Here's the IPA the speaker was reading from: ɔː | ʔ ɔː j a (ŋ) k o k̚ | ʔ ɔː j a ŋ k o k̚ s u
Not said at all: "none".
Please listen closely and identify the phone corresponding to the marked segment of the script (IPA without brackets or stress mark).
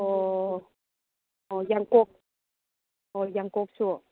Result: ŋ